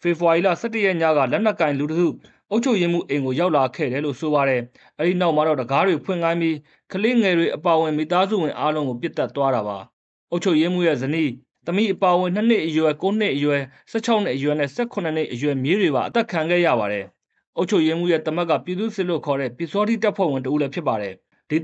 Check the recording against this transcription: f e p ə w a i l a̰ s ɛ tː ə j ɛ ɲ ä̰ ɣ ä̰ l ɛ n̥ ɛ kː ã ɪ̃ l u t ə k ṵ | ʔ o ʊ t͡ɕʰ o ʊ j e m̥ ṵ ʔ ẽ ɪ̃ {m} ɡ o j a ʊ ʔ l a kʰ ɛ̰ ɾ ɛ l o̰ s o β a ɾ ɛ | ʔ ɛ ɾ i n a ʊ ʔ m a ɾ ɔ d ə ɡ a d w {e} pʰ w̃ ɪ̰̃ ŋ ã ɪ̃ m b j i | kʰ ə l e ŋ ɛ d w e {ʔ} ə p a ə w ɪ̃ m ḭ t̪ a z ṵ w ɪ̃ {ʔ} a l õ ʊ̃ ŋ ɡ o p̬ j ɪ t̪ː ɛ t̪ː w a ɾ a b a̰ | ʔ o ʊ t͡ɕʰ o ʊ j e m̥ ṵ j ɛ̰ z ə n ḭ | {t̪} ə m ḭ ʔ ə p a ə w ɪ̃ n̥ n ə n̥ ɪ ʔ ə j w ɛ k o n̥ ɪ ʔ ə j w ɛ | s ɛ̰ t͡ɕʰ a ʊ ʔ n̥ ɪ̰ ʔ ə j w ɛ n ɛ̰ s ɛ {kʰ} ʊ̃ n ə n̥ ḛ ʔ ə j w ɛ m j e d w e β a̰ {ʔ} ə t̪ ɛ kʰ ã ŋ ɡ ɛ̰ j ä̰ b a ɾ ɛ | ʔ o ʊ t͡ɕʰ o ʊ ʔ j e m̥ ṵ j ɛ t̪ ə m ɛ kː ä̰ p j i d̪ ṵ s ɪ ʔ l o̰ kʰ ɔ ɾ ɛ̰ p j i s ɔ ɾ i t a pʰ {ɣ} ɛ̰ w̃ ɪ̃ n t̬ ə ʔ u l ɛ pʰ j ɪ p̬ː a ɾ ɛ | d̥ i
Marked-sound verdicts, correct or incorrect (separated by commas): incorrect, correct, correct, correct, correct, correct, correct, incorrect